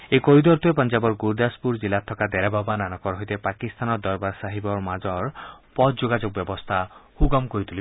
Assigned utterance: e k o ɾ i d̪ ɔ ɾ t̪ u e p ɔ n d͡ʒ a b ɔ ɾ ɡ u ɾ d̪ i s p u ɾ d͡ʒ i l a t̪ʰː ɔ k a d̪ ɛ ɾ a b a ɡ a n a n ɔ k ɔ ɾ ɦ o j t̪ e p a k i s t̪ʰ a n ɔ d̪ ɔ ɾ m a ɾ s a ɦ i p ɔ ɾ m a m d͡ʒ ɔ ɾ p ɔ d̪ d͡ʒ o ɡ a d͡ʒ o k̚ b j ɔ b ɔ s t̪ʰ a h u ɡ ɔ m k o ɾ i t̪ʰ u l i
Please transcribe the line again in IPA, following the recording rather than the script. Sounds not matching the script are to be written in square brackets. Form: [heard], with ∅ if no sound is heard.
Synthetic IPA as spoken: e k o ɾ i d̪ ɔ ɾ t̪ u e p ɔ n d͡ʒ a b ɔ ɾ ɡ u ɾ d̪ [a] s p u ɾ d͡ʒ i l a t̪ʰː ɔ k a d̪ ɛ ɾ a b a [b] a n a n ɔ k ɔ ɾ ɦ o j t̪ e p a k i s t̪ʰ a n ɔ d̪ ɔ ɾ [b] a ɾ s a ɦ i [b] ɔ ɾ m a [∅] d͡ʒ ɔ ɾ p ɔ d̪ d͡ʒ o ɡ a d͡ʒ o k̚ b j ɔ b ɔ s t̪ʰ a h u ɡ ɔ m k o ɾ i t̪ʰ u l i